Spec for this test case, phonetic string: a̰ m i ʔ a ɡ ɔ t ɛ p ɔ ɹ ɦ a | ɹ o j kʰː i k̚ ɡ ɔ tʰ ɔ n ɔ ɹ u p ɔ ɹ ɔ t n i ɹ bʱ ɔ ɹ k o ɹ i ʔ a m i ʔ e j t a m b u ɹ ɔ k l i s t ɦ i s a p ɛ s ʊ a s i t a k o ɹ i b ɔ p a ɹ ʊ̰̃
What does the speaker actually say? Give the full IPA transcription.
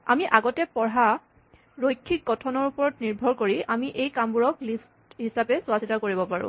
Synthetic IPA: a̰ m i ʔ a ɡ ɔ t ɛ p ɔ ɹ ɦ a | ɹ o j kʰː i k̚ ɡ ɔ tʰ ɔ n ɔ ɹ u p ɔ ɹ ɔ t n i ɹ bʱ ɔ ɹ k o ɹ i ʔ a m i ʔ e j k a m b u ɹ ɔ k l i s t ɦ i s a p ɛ s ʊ a s i t a k o ɹ i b ɔ p a ɹ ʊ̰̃